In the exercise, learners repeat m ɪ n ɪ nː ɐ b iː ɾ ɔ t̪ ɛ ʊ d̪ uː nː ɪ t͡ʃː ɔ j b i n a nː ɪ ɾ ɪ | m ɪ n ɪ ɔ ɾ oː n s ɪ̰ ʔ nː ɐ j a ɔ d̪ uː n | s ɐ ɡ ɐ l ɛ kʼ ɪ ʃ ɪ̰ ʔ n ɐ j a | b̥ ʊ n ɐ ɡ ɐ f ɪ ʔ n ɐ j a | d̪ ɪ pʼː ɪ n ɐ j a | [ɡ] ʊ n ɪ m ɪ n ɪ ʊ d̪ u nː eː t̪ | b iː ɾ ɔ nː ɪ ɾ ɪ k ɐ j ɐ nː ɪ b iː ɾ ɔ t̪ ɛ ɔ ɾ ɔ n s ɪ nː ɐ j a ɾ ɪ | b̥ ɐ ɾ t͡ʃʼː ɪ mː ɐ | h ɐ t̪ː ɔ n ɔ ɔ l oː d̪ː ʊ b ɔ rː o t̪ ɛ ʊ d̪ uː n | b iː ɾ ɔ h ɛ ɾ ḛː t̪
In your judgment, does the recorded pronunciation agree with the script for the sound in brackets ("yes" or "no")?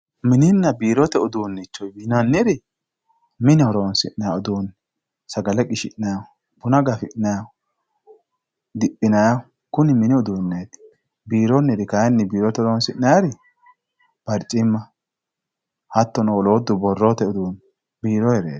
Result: no